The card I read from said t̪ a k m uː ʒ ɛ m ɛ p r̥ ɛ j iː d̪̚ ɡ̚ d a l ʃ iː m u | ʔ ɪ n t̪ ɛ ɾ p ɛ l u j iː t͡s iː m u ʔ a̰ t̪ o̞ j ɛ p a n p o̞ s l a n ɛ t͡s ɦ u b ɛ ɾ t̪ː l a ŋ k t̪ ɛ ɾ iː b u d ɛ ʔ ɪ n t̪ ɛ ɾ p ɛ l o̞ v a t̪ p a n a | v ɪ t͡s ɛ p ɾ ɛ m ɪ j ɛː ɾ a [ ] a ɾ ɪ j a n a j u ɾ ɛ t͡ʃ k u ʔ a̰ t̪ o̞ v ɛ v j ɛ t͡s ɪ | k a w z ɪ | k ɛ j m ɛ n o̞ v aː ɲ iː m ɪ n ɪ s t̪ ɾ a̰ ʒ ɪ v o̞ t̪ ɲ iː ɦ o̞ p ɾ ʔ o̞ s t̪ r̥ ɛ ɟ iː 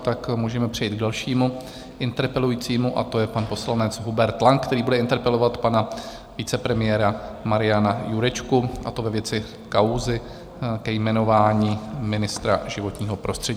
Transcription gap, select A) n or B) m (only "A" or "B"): B